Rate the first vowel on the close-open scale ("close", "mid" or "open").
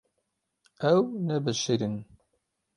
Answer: open